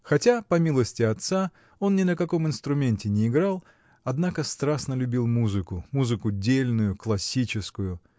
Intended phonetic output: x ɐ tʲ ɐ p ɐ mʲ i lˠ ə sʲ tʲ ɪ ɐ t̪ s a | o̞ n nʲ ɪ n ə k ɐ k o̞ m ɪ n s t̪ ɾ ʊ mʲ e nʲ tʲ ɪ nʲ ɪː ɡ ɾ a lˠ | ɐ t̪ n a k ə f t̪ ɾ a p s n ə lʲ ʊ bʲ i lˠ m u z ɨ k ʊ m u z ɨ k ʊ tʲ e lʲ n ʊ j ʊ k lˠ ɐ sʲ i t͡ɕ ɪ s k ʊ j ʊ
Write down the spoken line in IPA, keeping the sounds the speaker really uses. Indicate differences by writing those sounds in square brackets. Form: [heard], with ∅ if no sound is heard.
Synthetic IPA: x ɐ tʲ [a] p ɐ mʲ i lˠ ə sʲ tʲ ɪ ɐ t̪ s a | o̞ n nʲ ɪ n ə k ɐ k o̞ m ɪ n s t̪ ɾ ʊ mʲ e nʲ tʲ ɪ nʲ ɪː ɡ ɾ a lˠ | ɐ [d̪] n a k ə [s] t̪ ɾ a [∅] s n ə lʲ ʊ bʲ i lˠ m u z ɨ k ʊ m u z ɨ k ʊ [dʲ] e lʲ n ʊ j ʊ k lˠ ɐ sʲ i t͡ɕ ɪ s k ʊ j ʊ